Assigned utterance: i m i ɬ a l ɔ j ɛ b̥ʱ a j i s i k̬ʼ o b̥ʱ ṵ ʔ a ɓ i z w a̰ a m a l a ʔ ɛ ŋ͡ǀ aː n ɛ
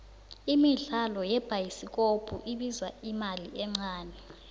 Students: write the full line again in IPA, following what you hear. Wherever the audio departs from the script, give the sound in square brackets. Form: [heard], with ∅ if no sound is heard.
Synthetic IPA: i m i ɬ a l ɔ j ɛ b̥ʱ a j i s i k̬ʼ o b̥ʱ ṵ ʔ [i] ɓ i z w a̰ [i] m a l [i] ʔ ɛ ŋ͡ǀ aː n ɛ